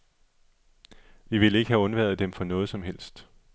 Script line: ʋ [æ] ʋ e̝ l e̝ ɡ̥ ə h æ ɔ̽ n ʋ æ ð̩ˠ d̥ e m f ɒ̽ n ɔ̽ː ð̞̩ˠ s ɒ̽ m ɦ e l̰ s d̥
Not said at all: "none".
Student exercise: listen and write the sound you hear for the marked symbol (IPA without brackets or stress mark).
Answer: i